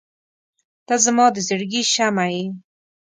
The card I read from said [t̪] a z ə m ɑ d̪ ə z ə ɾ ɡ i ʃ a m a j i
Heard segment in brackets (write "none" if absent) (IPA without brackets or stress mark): t̪